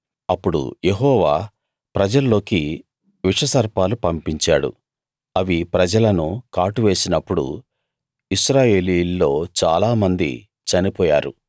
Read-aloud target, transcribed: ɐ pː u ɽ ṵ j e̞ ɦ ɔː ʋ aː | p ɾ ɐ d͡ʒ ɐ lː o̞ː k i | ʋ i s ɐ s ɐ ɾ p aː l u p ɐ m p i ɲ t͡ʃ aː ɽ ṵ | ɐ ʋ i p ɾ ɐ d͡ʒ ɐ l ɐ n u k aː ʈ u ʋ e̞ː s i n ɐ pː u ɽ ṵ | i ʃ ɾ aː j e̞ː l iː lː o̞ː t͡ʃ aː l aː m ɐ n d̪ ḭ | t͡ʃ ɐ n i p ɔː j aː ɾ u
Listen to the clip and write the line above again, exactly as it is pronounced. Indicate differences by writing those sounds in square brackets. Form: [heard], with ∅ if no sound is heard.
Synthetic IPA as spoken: ɐ pː u ɽ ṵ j e̞ ɦ ɔː ʋ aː | p ɾ ɐ d͡ʒ ɐ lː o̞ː k i | ʋ i [ʂ] ɐ s ɐ ɾ p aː l u p ɐ m p i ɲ t͡ʃ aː ɽ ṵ | ɐ ʋ i p ɾ ɐ d͡ʒ ɐ l ɐ n u k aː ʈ u ʋ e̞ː s i n ɐ pː u ɽ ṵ | i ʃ ɾ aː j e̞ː l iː lː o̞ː t͡ʃ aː l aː m ɐ n d̪ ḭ | t͡ʃ ɐ n i p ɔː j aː ɾ u